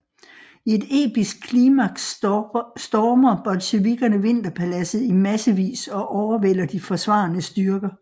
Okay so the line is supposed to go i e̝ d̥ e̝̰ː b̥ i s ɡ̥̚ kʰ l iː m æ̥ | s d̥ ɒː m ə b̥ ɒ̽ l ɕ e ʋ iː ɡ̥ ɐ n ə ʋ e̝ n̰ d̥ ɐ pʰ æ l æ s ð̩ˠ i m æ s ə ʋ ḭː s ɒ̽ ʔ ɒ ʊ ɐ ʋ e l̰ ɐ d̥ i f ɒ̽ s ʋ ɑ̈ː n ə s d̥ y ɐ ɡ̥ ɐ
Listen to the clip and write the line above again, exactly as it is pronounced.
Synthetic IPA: i e̝ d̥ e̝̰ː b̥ i s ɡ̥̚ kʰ l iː m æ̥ | s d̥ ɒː m ɐ b̥ ɒ̽ l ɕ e ʋ i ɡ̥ ɐ n ə ʋ e̝ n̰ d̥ ɐ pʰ æ l æ s ð̩ˠ i m æ s ə ʋ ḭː s ɒ̽ ʔ ɒ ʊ ɐ ʋ e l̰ ɐ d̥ i f ɒ̽ s ʋ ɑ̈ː n ə s d̥ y ɐ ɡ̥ ɐ